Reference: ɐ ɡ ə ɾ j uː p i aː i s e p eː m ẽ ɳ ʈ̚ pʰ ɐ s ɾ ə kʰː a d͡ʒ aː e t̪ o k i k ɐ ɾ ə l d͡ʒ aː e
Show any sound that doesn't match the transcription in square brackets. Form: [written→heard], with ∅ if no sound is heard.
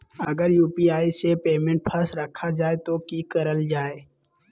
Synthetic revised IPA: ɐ ɡ ə ɾ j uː p i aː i s e p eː m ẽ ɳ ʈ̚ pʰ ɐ s ɾ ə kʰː a d͡ʒ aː e t̪ o k i k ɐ ɾ ə l d͡ʒ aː e